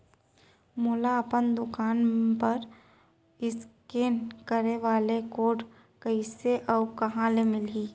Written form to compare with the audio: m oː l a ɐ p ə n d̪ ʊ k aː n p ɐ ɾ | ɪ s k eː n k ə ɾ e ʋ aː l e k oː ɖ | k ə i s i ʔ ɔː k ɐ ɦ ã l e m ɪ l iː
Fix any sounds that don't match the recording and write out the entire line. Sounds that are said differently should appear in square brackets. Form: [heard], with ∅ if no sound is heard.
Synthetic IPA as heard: m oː l a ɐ p ə n d̪ ʊ k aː n p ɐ ɾ | ɪ s k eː n k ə ɾ e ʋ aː l e k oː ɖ | k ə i s [e] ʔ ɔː k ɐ ɦ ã l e m ɪ l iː